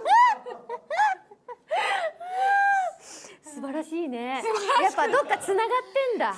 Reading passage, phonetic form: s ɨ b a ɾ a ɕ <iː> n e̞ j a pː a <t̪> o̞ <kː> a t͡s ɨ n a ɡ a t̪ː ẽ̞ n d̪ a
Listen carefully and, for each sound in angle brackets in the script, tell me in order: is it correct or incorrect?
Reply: correct, incorrect: d̪, correct

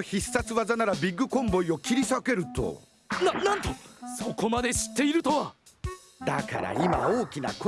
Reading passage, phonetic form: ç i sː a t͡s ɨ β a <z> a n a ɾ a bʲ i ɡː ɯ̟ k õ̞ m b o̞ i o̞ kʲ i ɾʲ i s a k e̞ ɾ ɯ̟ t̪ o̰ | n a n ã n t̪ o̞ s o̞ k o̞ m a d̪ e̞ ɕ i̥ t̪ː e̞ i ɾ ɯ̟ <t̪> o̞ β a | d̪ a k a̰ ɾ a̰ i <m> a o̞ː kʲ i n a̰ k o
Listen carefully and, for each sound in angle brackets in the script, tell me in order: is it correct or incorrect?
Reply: correct, correct, correct

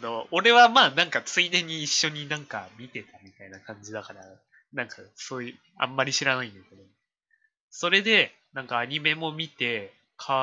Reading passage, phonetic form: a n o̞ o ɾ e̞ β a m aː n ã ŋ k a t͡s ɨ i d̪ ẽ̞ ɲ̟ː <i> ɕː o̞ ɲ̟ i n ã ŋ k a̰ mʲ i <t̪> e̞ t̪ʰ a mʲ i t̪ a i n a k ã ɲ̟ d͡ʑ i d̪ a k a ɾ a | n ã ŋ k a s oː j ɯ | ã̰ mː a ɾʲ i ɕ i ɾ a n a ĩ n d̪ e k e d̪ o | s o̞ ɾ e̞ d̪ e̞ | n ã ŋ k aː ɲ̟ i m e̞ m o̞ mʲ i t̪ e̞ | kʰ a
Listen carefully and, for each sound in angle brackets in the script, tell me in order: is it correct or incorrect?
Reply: incorrect: iː, correct

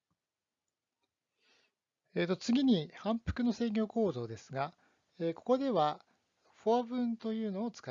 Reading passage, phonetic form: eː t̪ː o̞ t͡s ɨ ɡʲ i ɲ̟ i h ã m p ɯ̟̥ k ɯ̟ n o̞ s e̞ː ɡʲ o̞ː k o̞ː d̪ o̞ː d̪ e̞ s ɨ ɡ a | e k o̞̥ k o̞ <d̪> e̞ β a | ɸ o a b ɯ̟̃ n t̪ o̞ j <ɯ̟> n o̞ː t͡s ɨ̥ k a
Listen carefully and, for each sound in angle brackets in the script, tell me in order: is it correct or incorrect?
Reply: correct, incorrect: ɯ̟ː

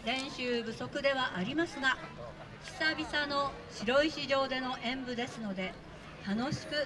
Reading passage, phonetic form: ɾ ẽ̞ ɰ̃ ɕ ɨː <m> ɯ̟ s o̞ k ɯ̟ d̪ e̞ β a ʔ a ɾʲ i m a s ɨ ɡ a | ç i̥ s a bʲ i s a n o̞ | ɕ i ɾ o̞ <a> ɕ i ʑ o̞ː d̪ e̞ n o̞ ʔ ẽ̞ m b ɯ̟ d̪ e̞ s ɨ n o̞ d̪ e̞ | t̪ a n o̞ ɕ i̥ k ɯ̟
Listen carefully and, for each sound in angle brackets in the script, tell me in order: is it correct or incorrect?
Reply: incorrect: b, incorrect: i

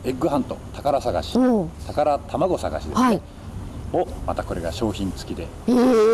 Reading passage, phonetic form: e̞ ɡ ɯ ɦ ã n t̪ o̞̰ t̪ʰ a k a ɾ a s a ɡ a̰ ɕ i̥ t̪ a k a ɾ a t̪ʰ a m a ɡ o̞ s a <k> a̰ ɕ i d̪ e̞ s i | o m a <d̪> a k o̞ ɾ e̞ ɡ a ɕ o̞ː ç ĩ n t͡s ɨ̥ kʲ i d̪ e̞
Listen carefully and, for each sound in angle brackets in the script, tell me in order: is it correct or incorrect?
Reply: incorrect: ɡ, incorrect: t̪

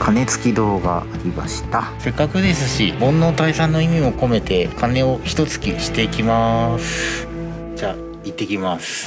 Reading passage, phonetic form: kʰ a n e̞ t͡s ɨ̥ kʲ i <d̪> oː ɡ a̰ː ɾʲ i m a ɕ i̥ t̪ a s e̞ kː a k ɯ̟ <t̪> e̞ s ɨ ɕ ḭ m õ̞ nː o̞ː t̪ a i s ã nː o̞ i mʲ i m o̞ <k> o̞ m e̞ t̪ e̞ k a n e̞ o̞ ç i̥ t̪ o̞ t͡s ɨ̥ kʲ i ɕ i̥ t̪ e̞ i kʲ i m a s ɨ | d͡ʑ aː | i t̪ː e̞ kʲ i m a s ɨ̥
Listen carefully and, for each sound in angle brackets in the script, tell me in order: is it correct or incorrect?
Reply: correct, incorrect: d̪, correct

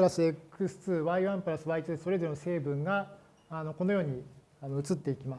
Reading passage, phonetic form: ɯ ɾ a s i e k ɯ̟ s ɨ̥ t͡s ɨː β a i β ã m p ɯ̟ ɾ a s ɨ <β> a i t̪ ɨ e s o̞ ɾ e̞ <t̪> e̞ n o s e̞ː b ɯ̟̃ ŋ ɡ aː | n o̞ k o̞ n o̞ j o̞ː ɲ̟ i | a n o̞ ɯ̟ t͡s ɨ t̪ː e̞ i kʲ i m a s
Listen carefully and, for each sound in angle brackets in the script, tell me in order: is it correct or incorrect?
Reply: correct, incorrect: d̪

